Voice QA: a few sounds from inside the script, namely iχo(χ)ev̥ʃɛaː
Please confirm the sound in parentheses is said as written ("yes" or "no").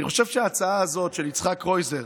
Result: no